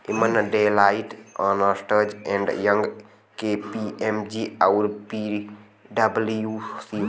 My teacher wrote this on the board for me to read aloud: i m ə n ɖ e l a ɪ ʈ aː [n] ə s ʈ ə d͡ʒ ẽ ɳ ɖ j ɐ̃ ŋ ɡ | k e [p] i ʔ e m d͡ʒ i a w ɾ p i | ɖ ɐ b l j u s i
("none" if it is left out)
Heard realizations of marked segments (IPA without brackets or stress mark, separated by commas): n, p